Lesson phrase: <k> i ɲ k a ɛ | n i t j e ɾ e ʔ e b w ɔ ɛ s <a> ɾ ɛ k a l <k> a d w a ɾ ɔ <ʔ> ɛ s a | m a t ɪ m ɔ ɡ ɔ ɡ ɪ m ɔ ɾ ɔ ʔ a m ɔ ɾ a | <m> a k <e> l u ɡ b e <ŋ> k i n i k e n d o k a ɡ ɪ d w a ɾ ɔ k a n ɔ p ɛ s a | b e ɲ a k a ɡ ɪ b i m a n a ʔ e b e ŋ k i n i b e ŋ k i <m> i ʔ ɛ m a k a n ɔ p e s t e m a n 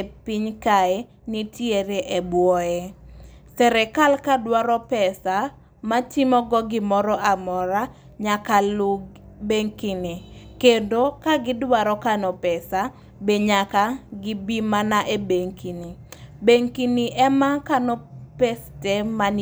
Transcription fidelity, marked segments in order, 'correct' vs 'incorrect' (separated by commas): incorrect, incorrect, correct, incorrect, incorrect, incorrect, correct, incorrect